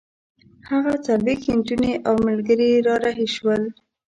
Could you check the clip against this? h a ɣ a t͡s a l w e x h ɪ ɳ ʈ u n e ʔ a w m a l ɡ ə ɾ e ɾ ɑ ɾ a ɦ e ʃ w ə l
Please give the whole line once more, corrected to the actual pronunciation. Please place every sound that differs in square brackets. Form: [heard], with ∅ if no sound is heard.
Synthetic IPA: h a ɣ a t͡s a l w e x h ɪ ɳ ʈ u n e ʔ a w m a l ɡ ə ɾ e ɾ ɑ ɾ a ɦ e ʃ w ə l